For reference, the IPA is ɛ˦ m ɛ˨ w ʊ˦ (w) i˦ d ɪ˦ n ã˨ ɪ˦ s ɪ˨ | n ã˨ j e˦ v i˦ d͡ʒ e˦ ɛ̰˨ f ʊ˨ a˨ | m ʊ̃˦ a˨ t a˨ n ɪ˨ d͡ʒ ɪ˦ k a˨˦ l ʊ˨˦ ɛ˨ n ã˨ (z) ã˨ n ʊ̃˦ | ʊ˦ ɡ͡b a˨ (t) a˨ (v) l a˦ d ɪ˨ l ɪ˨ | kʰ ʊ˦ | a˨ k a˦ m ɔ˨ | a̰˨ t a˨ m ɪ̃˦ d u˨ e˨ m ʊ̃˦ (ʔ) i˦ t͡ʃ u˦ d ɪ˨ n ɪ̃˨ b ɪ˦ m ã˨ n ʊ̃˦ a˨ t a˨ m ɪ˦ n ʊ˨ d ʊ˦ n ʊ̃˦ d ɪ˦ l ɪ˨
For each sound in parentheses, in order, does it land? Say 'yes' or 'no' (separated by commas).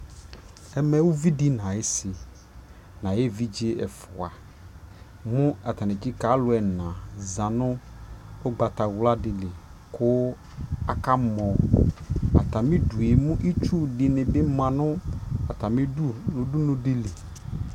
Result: no, yes, yes, no, yes